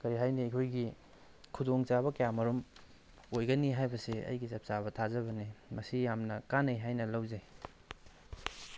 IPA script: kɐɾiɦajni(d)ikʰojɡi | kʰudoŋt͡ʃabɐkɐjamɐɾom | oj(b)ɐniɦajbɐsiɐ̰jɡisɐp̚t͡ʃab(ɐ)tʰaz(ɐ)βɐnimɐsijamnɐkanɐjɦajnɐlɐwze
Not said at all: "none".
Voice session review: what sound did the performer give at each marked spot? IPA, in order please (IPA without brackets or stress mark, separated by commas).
none, ɡ, ɐ, ɐ